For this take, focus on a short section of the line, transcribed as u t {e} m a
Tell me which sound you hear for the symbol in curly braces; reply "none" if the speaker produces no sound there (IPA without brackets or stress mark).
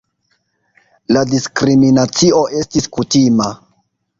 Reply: i